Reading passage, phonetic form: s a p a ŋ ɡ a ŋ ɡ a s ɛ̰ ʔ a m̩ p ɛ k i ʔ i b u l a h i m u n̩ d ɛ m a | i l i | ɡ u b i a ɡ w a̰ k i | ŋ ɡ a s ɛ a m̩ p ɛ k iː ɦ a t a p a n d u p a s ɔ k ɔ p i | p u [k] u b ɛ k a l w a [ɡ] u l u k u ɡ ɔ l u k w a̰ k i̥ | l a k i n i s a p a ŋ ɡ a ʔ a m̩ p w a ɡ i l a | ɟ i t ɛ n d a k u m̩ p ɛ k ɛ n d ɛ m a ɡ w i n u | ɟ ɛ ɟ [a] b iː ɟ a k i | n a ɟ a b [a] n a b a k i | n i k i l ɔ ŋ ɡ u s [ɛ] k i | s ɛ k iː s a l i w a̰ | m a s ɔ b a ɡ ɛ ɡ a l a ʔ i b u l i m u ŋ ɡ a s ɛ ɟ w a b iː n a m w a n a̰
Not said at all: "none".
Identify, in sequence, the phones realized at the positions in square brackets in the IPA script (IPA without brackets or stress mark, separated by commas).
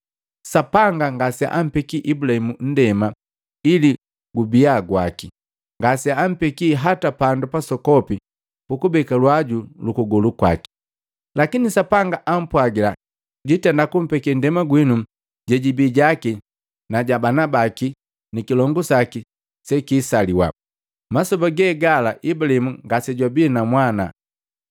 k, ɟ, i, a, a